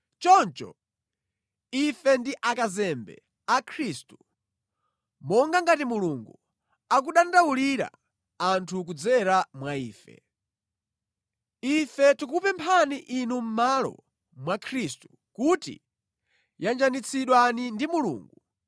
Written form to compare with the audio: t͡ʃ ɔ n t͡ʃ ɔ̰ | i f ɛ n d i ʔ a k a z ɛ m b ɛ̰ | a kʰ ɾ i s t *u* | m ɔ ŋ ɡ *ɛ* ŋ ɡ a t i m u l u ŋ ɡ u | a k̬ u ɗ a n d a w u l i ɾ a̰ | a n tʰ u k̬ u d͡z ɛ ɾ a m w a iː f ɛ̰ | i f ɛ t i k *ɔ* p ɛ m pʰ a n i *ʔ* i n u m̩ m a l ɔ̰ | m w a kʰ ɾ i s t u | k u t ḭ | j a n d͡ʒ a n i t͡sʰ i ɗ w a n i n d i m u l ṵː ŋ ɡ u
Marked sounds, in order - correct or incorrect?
correct, incorrect: a, incorrect: u, correct

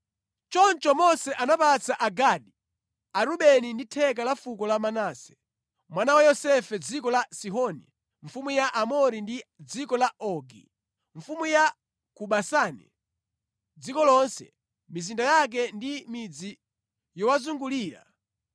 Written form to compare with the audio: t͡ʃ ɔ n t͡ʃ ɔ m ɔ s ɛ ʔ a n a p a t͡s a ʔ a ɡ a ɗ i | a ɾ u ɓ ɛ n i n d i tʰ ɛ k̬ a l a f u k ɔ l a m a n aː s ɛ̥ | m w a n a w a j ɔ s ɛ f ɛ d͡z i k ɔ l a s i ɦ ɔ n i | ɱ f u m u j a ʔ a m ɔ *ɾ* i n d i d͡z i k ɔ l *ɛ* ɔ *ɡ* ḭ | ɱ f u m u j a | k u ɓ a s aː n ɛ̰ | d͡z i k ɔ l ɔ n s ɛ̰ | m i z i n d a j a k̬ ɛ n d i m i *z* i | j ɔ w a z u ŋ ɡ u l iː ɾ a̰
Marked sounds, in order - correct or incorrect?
correct, incorrect: a, correct, incorrect: d͡z

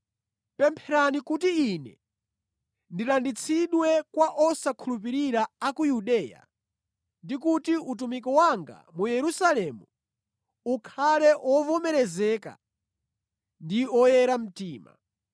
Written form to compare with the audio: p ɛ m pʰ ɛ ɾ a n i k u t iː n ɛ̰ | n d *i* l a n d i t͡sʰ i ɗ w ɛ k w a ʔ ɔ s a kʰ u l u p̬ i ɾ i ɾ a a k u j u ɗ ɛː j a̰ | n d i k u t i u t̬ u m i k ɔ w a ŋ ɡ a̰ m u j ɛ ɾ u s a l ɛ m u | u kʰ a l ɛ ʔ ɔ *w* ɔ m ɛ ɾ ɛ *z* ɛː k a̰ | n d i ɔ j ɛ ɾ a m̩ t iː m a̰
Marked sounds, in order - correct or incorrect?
correct, incorrect: v, correct

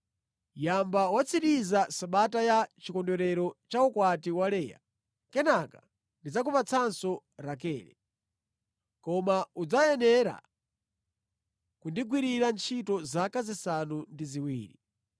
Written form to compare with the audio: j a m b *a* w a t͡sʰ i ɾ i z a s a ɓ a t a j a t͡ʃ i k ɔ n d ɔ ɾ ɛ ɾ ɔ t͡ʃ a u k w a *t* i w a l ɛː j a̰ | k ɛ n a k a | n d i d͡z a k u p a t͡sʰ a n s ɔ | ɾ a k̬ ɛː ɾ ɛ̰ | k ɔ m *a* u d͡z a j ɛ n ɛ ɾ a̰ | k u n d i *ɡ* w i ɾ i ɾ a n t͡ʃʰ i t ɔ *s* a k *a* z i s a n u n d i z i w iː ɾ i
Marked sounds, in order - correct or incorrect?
correct, correct, correct, correct, incorrect: z, correct

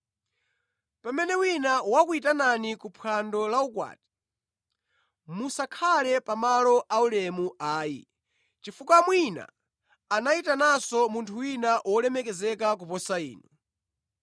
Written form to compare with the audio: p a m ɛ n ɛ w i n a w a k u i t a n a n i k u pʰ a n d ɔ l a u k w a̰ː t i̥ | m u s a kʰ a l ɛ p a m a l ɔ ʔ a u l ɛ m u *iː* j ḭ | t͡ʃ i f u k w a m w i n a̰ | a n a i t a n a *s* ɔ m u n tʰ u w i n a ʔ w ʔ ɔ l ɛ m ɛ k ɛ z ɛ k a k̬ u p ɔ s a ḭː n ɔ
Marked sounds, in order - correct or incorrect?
incorrect: aː, correct

